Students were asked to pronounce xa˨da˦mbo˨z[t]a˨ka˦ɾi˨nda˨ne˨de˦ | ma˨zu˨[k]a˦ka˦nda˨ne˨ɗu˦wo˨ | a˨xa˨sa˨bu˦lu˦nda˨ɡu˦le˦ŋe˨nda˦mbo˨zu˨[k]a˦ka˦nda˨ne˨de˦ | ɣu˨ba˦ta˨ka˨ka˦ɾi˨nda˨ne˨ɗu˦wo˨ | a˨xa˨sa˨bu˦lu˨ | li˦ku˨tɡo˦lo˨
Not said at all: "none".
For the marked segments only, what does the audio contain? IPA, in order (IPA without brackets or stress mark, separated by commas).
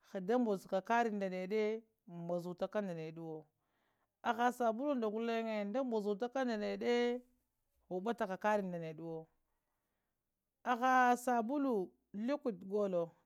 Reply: k, t, t